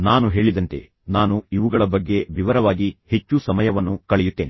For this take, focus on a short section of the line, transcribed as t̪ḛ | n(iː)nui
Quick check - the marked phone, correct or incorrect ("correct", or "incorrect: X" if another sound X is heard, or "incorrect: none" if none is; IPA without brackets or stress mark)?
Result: incorrect: aː